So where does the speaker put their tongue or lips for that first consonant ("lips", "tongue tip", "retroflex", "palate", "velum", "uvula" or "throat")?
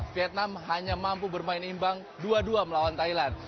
lips